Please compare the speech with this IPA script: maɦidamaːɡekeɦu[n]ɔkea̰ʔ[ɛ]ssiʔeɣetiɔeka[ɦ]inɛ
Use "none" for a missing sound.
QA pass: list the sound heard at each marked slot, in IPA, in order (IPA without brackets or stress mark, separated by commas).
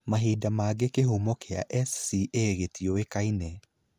m, ɛ, none